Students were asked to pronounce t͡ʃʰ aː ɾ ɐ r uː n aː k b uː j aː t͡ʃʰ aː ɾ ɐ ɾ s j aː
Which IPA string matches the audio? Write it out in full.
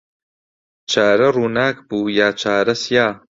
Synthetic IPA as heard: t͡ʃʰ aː ɾ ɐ r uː n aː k b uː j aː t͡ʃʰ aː ɾ ɐ s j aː